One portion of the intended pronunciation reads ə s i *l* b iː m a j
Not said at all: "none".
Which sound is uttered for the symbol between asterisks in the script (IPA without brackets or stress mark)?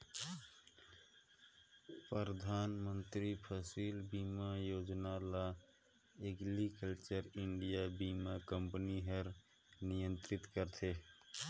l